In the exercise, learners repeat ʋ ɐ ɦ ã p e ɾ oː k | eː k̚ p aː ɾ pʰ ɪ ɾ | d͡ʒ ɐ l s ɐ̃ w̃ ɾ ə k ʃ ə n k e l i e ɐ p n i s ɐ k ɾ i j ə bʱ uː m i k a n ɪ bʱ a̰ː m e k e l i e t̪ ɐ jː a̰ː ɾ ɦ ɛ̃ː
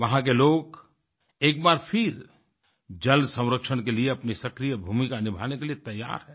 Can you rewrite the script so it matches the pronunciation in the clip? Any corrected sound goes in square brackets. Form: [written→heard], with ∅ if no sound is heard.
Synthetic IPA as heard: ʋ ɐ ɦ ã [p→k] e [ɾ→l] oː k | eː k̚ [p→b] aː ɾ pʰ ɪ ɾ | d͡ʒ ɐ l s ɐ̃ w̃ ɾ ə k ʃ ə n k e l i e ɐ p n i s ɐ k ɾ i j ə bʱ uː m i k a n ɪ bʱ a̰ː [m→n] e k e l i e t̪ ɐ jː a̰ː ɾ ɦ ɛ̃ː

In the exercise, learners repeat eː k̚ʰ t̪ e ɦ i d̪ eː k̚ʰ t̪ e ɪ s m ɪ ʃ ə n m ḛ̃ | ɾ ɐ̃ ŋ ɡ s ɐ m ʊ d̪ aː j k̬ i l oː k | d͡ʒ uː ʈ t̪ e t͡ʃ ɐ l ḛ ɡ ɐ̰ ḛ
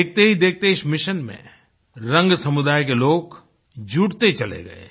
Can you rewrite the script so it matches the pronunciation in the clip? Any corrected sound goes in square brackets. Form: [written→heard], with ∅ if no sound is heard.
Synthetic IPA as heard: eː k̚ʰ t̪ e ɦ i d̪ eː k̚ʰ t̪ e ɪ s m ɪ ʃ ə n m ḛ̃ | ɾ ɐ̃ ŋ ɡ s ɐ m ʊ d̪ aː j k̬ [i→e] l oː k | d͡ʒ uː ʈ t̪ e t͡ʃ ɐ l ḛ ɡ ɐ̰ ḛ

